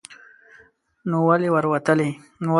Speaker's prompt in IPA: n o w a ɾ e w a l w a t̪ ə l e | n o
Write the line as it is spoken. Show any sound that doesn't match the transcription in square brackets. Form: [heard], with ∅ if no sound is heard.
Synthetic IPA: n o w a [l] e w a [ɾ] w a t̪ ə l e | n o